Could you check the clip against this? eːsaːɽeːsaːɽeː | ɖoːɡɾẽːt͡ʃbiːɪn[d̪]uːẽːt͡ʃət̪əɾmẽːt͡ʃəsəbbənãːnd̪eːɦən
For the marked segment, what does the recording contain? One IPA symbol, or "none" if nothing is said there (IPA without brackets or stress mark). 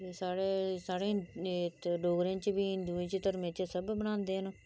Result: d̪